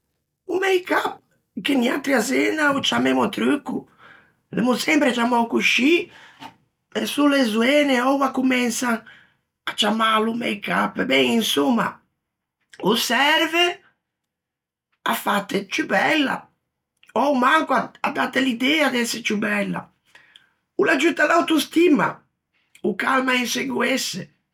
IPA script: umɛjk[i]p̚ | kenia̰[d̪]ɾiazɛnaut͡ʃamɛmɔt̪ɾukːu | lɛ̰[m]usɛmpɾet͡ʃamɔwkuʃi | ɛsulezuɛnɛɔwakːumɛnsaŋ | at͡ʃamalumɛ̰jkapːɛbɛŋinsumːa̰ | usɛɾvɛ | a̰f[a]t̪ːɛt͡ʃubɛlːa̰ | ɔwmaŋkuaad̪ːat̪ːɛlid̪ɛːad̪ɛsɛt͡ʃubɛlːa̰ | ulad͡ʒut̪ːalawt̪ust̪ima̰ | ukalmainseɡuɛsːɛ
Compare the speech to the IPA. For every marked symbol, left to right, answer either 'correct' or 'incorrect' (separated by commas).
incorrect, incorrect, correct, correct